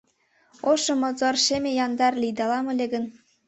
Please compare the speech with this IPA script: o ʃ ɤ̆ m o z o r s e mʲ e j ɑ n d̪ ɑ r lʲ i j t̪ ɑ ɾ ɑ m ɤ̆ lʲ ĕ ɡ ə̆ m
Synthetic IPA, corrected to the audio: o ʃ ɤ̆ m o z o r ʃ e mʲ e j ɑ n d̪ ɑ r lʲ i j d̪ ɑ l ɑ m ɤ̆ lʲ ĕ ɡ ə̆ n